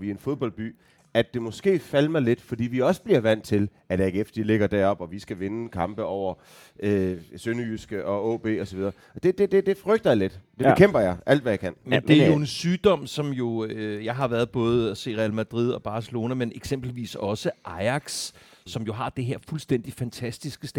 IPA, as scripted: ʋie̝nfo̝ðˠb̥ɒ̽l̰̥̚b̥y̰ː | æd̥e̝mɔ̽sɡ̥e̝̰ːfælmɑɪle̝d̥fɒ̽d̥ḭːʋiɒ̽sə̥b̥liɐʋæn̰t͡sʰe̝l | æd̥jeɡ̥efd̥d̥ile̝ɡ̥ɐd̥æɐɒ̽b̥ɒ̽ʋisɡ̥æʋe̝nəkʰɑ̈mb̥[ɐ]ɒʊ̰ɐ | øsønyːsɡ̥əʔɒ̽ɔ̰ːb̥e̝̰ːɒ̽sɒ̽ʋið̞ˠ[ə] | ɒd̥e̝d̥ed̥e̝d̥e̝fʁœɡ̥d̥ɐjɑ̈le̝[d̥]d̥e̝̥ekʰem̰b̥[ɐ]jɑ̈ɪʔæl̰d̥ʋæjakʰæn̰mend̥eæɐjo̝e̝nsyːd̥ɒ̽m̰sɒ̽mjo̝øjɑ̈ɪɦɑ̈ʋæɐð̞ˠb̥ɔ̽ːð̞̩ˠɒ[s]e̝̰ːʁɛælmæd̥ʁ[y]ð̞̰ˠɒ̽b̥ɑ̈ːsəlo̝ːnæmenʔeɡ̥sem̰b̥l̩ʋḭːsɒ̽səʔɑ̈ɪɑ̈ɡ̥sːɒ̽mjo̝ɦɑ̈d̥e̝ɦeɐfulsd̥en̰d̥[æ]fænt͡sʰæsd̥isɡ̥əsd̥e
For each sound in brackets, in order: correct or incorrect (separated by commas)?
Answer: incorrect, incorrect, correct, correct, correct, incorrect, incorrect